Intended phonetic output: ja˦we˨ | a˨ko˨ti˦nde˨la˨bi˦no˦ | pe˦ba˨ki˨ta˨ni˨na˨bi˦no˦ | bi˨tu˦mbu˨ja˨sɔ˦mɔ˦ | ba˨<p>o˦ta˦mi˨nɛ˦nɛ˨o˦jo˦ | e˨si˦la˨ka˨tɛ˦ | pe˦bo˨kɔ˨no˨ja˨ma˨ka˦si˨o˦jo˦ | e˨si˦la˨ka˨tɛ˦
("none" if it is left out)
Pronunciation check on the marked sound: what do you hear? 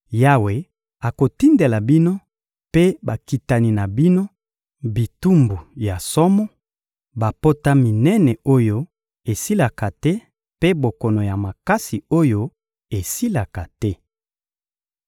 p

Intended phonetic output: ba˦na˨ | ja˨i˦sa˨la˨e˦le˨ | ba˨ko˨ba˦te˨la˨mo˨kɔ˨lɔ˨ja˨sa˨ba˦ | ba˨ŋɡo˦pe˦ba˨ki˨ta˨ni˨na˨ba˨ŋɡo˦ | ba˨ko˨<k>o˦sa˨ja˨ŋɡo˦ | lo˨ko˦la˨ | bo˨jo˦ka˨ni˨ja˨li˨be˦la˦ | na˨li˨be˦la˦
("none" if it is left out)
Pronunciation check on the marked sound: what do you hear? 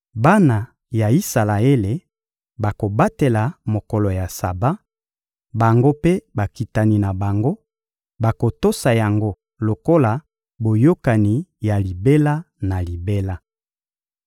t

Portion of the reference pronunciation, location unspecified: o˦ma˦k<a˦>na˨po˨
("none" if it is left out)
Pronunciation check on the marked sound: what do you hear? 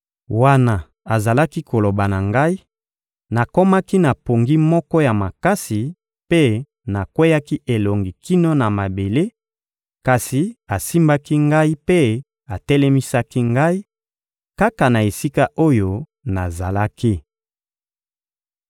i˦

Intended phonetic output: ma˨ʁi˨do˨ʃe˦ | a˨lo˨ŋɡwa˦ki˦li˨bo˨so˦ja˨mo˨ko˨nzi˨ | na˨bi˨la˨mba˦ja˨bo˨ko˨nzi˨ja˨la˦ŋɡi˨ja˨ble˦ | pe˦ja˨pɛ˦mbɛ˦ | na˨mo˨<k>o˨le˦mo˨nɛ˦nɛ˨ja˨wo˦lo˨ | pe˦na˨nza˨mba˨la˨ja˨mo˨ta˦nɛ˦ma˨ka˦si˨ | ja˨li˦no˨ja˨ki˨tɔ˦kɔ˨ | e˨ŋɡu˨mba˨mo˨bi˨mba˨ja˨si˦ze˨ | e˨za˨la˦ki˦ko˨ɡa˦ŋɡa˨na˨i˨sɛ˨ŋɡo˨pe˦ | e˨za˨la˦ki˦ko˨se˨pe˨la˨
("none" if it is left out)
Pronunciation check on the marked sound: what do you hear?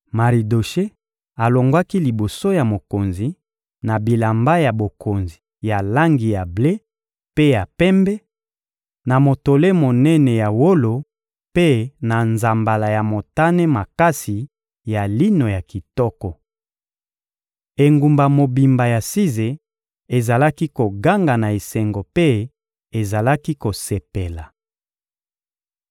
t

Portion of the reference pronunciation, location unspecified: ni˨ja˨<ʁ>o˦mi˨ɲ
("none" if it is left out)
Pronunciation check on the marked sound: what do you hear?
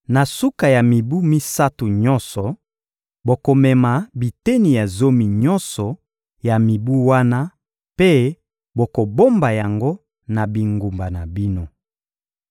z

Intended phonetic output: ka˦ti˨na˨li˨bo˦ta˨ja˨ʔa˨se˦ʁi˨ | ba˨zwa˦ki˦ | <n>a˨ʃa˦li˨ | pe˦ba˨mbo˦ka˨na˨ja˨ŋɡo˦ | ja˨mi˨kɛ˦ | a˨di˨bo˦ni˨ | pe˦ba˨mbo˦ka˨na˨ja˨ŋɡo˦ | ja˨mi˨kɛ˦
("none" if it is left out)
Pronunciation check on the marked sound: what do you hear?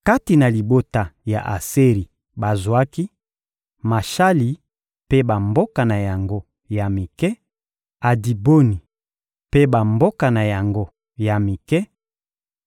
m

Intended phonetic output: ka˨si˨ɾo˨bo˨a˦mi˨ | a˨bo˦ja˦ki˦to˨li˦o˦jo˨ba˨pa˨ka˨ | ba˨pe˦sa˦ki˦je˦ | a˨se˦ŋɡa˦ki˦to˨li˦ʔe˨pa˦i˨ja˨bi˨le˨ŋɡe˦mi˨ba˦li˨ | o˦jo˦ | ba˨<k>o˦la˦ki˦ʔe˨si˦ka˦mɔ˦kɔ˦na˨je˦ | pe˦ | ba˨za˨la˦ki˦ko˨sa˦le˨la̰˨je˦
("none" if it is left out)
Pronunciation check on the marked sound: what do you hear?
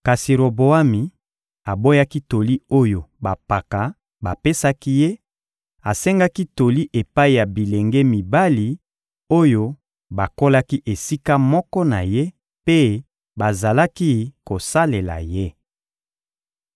k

